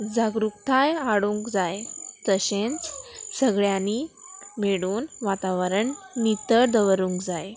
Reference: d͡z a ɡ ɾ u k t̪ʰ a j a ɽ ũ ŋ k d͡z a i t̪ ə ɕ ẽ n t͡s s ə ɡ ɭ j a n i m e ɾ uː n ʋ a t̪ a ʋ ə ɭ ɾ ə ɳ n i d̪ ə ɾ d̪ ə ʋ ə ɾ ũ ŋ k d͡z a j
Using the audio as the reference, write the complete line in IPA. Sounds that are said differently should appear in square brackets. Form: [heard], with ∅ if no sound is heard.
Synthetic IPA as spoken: d͡z a ɡ ɾ u k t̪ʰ a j a ɽ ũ ŋ k d͡z a [j] t̪ ə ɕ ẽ n t͡s s ə ɡ ɭ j a n i m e [ɽ] uː n ʋ a t̪ a ʋ ə [∅] ɾ ə ɳ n i [t̪] ə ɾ d̪ ə ʋ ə ɾ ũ ŋ k d͡z a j